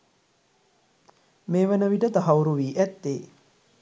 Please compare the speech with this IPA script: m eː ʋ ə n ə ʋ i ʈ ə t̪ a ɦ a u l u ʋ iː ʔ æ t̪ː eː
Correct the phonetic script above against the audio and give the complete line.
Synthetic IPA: m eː ʋ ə n ə ʋ i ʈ ə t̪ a ɦ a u ɾ u ʋ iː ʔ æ t̪ː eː